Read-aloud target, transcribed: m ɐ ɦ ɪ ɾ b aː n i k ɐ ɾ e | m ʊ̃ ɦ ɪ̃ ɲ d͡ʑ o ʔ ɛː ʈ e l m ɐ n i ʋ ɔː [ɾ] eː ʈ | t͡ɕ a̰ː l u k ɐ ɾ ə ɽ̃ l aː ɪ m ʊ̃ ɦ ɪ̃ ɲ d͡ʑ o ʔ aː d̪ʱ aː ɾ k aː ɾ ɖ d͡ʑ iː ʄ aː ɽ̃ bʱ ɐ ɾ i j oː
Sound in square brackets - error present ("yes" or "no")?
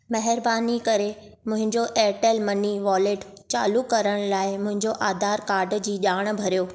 yes